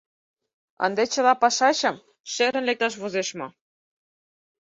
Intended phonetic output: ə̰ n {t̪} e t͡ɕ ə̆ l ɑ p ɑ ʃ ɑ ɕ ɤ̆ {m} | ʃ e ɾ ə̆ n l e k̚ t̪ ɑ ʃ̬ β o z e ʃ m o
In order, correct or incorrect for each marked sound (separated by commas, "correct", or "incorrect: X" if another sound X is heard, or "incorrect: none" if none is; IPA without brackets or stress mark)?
incorrect: d̪, correct